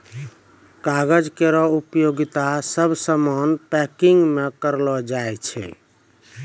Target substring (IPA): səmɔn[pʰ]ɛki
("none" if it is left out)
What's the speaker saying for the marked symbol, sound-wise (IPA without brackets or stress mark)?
p